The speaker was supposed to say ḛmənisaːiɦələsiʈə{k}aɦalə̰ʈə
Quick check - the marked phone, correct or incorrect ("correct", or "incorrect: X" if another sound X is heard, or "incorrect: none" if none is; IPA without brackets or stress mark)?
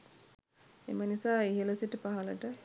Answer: incorrect: p